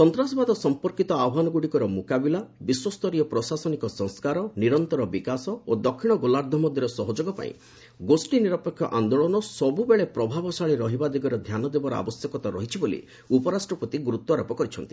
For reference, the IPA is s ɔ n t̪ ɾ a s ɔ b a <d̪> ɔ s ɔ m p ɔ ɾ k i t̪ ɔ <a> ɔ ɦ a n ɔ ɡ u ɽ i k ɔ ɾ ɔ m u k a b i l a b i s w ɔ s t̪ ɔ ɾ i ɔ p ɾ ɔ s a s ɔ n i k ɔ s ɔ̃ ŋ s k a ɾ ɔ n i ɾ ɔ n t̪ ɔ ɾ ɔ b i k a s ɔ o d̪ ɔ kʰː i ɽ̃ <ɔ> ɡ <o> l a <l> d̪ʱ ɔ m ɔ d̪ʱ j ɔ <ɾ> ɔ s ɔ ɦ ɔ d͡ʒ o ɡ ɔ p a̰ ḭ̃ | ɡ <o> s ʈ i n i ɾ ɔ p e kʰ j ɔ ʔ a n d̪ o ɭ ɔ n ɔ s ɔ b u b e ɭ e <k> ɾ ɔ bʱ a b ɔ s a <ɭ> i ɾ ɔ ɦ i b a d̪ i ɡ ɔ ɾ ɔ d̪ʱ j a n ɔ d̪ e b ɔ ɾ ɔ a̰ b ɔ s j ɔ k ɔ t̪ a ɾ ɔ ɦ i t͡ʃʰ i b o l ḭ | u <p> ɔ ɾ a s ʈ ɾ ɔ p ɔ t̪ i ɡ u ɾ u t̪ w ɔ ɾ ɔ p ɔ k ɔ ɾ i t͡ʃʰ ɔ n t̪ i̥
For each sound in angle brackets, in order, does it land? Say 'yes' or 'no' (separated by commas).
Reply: yes, yes, yes, yes, no, yes, yes, no, yes, yes